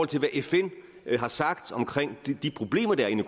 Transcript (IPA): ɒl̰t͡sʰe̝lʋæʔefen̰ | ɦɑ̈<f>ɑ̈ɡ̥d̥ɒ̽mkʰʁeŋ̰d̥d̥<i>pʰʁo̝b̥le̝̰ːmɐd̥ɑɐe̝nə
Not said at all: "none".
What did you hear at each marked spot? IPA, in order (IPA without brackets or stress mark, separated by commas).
s, i